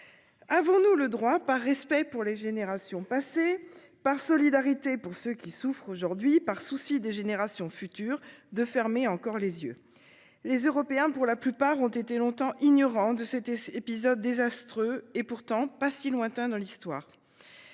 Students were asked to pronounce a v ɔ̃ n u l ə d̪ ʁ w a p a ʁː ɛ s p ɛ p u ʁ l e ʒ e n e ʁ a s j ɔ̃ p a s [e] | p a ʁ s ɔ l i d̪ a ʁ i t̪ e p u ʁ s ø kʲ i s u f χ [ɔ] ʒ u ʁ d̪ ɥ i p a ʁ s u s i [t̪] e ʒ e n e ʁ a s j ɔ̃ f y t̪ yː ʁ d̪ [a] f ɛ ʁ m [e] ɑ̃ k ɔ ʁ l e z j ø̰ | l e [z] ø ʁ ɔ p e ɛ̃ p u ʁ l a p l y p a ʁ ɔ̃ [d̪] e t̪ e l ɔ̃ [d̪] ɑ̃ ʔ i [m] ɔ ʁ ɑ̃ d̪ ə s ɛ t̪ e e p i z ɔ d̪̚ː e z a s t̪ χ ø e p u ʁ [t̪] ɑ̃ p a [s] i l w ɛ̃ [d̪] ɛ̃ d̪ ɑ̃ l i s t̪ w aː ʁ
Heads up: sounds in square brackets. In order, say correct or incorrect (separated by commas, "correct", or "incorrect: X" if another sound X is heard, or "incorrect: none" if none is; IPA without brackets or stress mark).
correct, incorrect: o, incorrect: d̪, incorrect: ə, correct, correct, incorrect: t̪, incorrect: t̪, incorrect: ɲ, correct, correct, incorrect: t̪